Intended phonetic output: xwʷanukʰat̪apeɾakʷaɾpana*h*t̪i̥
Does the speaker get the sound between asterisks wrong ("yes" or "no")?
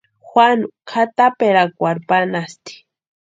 yes